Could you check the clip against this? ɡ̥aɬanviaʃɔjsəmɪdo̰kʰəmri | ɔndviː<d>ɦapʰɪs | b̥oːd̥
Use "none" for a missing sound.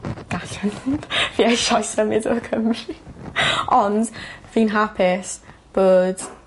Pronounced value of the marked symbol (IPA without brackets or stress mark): n